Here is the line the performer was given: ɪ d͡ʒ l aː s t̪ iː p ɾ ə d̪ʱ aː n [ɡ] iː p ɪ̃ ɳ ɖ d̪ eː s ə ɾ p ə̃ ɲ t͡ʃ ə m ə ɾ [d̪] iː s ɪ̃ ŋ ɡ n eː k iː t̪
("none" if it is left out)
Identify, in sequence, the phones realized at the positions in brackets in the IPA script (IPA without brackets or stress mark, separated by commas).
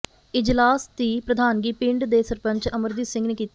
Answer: ɡ, d̪